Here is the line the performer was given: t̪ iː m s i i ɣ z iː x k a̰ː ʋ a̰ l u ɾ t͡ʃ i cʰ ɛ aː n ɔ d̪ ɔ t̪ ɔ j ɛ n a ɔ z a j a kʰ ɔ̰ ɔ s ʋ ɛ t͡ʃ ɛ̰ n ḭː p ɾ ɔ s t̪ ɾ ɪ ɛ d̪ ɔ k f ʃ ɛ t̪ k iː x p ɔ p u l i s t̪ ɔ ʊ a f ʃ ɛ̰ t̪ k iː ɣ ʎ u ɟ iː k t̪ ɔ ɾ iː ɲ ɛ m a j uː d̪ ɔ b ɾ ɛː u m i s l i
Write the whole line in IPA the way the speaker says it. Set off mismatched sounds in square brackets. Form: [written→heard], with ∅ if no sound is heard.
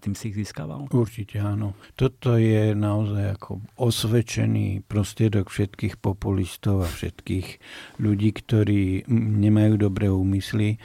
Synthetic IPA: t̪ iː m s i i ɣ z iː [x→s] k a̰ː ʋ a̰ l u ɾ t͡ʃ i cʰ ɛ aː n ɔ [d̪→t̪] ɔ t̪ ɔ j ɛ n a ɔ z a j a kʰ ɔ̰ ɔ s ʋ ɛ t͡ʃ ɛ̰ n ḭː p ɾ ɔ s t̪ ɾ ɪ ɛ d̪ ɔ k f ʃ ɛ t̪ k iː x p ɔ p u l i s t̪ ɔ ʊ a f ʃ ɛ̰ t̪ k iː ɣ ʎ u ɟ iː k t̪ ɔ ɾ iː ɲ ɛ m a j uː d̪ ɔ b ɾ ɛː [u→uː] m i s l i